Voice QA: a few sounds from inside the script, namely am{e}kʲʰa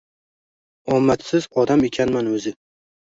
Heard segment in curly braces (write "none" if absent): e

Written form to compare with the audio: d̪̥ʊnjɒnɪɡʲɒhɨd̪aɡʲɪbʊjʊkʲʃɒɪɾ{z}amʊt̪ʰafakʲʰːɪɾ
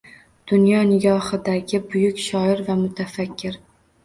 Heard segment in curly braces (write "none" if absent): v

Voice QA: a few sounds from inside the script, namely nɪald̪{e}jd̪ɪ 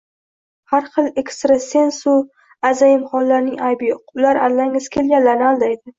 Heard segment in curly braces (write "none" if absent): a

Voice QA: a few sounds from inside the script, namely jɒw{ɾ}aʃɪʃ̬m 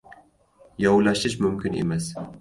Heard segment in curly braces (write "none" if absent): l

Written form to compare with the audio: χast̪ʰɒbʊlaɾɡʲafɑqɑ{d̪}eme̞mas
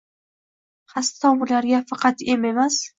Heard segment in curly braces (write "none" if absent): t̪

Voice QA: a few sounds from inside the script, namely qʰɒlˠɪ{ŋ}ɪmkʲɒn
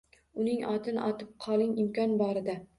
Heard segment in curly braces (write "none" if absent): ŋ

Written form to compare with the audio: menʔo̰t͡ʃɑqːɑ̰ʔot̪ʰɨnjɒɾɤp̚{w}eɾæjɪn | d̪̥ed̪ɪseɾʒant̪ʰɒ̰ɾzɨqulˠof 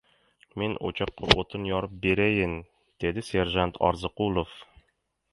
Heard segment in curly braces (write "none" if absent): b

